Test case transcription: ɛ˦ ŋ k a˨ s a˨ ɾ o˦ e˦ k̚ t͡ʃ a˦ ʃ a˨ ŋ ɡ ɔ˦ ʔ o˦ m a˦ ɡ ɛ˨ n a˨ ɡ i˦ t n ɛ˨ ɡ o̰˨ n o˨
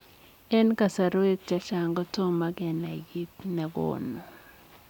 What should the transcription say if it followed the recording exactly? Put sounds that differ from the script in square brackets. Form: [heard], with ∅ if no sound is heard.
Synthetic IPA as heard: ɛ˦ [n] k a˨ s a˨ ɾ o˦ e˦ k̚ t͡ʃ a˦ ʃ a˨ ŋ ɡ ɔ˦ [t] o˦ m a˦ ɡ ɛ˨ n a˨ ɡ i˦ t n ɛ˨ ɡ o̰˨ n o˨